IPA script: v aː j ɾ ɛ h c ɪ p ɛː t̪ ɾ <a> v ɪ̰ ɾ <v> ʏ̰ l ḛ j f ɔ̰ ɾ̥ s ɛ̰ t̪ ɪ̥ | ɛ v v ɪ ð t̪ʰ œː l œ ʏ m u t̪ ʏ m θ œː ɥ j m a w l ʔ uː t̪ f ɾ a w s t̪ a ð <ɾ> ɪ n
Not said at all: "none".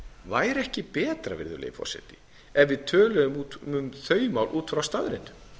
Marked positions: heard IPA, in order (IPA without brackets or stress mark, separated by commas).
a, ð, ɾ